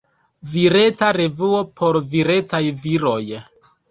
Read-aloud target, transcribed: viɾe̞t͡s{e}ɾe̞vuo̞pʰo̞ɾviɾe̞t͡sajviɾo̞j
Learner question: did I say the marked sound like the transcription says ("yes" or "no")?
no